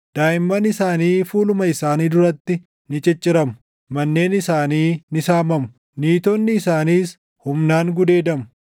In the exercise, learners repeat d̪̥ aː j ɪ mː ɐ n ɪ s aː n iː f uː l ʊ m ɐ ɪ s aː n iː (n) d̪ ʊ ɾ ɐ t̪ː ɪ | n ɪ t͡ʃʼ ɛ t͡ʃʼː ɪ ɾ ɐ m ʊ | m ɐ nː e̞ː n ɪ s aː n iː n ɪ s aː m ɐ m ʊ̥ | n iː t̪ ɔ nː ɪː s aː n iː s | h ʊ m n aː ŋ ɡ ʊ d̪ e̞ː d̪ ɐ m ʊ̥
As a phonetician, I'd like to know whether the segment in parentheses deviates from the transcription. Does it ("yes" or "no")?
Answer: yes